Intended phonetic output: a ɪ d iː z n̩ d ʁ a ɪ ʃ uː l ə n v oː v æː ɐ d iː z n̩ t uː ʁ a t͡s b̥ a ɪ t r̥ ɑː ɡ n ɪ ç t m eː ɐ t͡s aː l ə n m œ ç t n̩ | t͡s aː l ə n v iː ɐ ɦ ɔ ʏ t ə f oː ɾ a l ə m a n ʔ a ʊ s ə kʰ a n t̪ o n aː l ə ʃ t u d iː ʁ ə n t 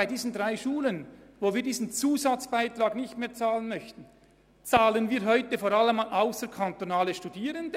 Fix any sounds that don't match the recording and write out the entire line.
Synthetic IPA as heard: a ɪ d iː z n̩ d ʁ a ɪ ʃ uː l ə n v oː v iː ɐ d iː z n̩ t͡s uː z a t͡s b̥ a ɪ t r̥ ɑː ɡ n ɪ ç t m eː ɐ t͡s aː l ə n m œ ç t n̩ | t͡s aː l ə n v iː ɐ ɦ ɔ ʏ t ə f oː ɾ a l ə m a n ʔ a ʊ s ə kʰ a n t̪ o n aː l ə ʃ t u d iː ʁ ə n d